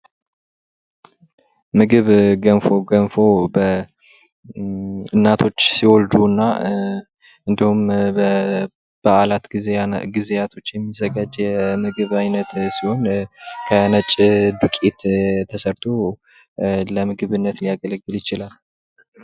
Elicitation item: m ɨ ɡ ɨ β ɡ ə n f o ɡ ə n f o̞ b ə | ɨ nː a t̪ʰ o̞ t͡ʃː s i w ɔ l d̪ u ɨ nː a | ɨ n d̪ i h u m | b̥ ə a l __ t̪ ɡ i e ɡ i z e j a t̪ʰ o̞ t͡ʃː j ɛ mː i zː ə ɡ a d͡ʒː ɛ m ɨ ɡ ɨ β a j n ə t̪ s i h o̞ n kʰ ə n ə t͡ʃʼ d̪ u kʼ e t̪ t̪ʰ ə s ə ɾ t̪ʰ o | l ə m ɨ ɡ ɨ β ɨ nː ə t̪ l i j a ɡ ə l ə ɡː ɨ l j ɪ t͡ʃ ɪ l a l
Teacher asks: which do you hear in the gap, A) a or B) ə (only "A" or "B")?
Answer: A